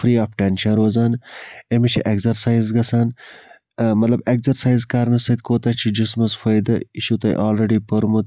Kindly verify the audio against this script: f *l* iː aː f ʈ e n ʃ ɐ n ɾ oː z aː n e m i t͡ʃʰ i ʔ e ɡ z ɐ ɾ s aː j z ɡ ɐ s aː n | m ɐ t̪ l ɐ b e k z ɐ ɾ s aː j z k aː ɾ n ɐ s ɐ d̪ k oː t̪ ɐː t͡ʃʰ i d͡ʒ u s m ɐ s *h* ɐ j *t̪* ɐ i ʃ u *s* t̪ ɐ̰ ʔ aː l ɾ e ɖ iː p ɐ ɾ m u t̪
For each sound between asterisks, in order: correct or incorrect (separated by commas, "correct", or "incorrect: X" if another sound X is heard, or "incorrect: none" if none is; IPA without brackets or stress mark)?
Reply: incorrect: ɾ, incorrect: f, incorrect: d̪, incorrect: none